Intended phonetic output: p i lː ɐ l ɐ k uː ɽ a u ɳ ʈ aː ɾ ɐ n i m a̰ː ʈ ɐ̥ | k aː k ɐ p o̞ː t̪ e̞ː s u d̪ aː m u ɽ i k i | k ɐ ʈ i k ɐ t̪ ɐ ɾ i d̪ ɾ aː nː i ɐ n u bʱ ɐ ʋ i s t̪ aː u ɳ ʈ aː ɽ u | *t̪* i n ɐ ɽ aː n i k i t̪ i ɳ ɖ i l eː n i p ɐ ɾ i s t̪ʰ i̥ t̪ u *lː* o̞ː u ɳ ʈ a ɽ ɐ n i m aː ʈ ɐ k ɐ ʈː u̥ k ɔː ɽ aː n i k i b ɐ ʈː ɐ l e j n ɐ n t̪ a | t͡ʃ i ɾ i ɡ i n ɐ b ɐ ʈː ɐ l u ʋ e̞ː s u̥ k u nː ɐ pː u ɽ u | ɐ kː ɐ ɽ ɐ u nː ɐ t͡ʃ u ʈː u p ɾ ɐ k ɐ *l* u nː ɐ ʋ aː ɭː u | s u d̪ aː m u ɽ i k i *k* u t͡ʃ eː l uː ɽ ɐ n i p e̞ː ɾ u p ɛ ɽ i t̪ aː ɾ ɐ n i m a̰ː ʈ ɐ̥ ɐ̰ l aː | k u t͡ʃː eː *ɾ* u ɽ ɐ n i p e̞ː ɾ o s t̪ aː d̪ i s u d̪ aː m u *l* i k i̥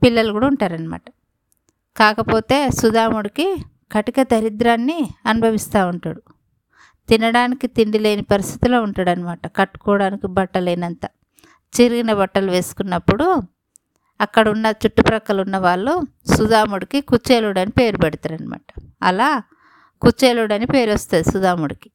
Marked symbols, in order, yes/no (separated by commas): yes, no, yes, yes, no, no